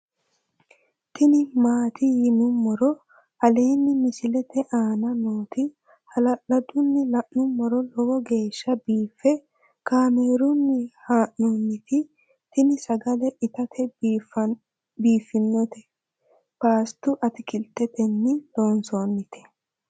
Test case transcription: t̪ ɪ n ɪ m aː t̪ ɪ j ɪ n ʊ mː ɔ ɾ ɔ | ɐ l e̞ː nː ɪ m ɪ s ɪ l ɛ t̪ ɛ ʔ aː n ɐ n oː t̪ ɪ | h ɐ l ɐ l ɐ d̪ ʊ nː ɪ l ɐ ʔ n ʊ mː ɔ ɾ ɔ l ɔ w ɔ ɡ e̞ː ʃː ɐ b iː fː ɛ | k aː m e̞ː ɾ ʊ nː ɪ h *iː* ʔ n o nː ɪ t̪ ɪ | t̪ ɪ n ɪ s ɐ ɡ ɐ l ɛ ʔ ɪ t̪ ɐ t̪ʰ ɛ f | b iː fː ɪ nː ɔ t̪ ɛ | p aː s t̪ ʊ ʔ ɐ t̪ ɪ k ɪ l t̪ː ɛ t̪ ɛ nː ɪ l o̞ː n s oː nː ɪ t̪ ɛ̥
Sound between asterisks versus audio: incorrect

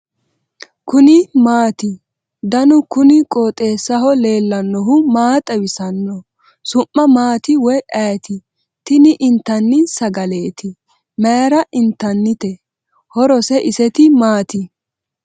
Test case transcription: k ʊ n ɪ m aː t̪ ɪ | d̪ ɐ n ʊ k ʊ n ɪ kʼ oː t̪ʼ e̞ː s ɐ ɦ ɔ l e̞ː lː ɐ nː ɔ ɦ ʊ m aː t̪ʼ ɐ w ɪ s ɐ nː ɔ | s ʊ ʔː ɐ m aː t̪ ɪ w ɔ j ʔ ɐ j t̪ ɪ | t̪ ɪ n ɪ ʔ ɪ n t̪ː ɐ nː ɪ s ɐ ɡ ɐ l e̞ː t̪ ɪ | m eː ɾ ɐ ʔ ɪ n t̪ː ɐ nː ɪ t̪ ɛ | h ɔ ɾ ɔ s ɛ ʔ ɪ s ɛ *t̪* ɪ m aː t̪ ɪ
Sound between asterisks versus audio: correct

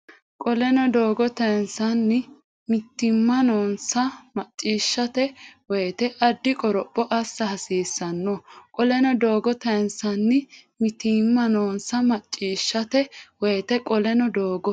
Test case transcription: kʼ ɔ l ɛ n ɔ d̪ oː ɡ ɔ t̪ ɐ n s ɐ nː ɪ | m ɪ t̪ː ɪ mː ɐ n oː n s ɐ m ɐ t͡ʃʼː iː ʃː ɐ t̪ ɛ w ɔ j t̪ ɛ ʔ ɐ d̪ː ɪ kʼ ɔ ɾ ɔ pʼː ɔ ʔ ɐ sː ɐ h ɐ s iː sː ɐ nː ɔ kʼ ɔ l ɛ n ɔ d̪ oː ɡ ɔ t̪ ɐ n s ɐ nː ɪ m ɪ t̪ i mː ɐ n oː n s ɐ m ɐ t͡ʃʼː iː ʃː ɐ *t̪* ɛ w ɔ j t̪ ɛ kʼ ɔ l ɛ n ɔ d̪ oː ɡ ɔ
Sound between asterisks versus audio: correct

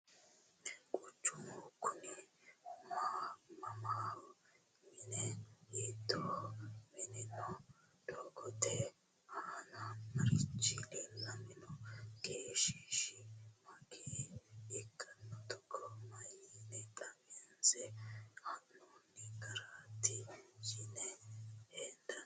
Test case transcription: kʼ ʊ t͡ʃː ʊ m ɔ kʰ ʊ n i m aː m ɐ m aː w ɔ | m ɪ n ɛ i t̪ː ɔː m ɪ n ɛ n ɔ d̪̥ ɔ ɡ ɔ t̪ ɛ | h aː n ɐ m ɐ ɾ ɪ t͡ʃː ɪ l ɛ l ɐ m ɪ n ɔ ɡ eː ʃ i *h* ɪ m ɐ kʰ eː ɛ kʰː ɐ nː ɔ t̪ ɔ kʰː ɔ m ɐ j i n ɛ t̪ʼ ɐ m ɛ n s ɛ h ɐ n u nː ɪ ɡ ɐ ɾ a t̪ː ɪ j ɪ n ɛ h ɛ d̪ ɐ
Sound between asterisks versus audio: incorrect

